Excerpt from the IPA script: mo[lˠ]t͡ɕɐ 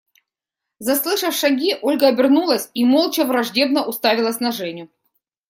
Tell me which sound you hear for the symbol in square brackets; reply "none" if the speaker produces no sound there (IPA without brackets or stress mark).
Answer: lˠ